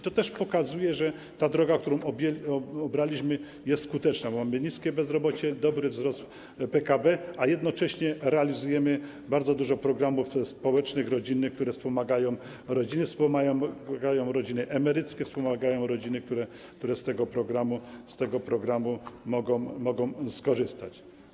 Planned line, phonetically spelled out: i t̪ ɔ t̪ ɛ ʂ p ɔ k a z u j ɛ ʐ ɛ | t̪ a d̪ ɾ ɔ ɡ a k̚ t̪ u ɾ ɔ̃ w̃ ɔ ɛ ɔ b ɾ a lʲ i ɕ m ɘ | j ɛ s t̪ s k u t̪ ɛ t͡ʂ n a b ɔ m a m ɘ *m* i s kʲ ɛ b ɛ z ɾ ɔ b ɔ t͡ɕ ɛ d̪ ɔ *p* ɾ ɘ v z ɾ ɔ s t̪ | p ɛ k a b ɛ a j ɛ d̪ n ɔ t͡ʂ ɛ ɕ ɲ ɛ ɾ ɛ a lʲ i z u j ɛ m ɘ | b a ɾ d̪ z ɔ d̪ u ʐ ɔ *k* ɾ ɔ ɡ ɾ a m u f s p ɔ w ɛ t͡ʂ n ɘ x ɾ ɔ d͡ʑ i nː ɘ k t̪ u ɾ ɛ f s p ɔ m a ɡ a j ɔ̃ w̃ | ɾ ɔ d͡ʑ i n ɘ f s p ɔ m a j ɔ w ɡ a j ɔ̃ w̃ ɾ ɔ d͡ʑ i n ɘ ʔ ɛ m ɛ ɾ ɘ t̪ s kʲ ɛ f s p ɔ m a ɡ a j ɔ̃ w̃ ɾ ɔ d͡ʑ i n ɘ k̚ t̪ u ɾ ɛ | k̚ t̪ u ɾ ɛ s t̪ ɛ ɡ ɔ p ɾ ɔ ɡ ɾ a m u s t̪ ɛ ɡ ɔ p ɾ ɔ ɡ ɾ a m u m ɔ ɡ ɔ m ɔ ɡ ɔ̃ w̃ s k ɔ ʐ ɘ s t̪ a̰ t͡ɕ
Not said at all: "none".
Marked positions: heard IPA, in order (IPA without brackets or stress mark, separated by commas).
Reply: ɲ, b, p